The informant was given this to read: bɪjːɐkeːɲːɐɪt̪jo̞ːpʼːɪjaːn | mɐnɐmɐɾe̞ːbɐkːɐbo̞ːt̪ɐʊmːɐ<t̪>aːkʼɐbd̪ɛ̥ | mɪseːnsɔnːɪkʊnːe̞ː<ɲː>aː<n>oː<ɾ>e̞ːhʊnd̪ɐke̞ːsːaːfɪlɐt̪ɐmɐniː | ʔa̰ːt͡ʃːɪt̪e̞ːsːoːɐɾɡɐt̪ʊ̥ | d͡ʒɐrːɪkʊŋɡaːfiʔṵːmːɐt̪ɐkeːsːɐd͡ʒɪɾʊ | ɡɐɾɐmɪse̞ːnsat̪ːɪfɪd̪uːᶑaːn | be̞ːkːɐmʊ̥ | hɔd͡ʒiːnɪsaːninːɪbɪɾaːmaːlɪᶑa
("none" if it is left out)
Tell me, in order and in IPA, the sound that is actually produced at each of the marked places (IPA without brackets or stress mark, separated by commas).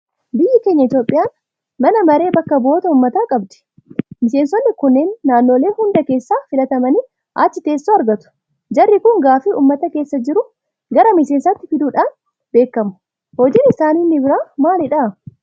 t̪, nː, nː, l